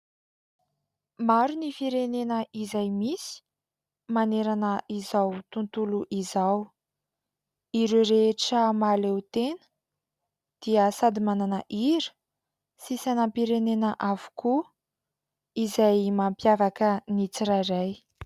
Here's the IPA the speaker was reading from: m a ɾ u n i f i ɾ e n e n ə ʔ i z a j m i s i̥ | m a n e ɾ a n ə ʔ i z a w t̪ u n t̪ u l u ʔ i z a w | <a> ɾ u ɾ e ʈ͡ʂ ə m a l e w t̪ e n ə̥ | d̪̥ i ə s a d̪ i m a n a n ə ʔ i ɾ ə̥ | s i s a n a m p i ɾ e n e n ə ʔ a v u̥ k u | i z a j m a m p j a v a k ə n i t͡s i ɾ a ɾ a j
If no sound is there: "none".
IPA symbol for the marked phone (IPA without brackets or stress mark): i